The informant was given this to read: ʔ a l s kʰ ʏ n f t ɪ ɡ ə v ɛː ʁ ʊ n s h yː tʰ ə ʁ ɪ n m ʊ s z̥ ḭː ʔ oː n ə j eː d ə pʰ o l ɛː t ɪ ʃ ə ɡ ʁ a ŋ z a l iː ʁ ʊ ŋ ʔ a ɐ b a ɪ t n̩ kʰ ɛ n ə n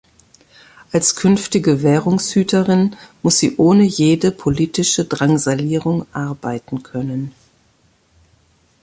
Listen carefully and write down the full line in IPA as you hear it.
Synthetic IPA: ʔ a l s kʰ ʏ n f t ɪ ɡ ə v ɛː ʁ ʊ ŋ s h yː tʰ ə ʁ ɪ n m ʊ s z̥ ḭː ʔ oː n ə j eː d ə pʰ o l iː t ɪ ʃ ə d ʁ a ŋ z a l iː ʁ ʊ ŋ ʔ a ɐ b a ɪ t n̩ kʰ œ n ə n

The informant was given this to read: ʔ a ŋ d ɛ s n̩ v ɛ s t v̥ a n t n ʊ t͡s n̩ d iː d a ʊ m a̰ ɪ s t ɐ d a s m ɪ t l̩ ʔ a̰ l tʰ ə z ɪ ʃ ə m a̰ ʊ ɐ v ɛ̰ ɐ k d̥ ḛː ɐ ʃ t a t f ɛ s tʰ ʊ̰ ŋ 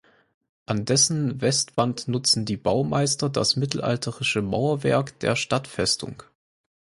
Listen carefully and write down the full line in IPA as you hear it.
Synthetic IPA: ʔ a n d ɛ s n̩ v ɛ s t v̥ a n t n ʊ t͡s n̩ d iː b a ʊ m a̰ ɪ s t ɐ d a s m ɪ t l̩ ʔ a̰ l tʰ ə ʁ ɪ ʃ ə m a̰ ʊ ɐ v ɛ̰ ɐ k d̥ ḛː ɐ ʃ t a t f ɛ s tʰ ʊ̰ ŋ

